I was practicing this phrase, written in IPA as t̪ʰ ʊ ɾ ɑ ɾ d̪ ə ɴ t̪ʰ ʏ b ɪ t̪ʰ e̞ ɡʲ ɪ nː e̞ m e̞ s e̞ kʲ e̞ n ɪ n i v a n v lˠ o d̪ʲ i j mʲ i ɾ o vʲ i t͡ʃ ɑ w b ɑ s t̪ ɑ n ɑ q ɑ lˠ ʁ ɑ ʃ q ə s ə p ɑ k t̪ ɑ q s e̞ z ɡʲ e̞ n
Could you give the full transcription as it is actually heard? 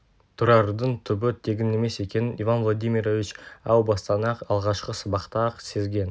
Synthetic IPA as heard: t̪ʰ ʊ ɾ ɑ ɾ d̪ ə ɴ t̪ʰ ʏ b ɪ t̪ʰ e̞ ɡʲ ɪ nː e̞ m e̞ s e̞ kʲ e̞ n ɪ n i v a n v lˠ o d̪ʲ i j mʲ i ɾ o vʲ i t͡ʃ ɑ w b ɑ s t̪ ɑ n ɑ q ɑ lˠ ʁ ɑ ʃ q ə s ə b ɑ q t̪ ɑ q s e̞ z ɡʲ e̞ n